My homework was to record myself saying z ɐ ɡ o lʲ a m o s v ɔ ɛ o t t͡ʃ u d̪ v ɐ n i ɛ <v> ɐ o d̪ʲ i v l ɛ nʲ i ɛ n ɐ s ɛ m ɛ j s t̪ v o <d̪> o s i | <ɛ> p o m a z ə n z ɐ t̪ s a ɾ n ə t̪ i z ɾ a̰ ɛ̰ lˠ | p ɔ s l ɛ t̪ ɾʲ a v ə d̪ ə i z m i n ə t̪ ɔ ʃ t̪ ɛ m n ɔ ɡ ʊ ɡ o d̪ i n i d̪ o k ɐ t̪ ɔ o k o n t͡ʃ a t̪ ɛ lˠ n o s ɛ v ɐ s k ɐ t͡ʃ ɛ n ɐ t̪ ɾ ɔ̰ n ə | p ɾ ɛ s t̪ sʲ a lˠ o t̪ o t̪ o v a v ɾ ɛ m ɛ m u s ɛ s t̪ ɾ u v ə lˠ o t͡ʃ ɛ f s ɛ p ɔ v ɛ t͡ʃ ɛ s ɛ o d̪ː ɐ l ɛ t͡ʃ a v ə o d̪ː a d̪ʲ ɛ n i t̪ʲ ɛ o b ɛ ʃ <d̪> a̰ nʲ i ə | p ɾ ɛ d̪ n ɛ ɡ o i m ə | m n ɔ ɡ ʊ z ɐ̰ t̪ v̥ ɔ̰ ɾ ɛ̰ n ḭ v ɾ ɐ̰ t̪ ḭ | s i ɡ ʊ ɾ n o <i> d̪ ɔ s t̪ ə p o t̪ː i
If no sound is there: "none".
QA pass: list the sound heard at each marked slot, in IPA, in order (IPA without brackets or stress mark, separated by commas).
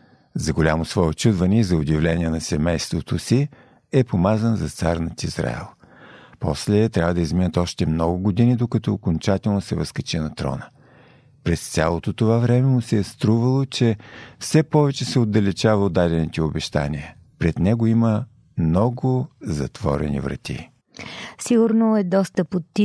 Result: z, t̪, ɛ, t̪, ɛ